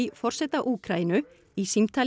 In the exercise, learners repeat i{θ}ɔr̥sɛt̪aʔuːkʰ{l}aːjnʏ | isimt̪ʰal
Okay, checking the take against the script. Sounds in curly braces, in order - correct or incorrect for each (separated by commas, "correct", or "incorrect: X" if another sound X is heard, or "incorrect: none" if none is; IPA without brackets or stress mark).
incorrect: f, incorrect: ɾ